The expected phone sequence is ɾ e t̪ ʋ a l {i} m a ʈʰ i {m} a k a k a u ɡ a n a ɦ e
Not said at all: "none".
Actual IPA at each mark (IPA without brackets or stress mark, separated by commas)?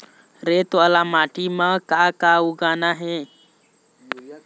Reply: a, m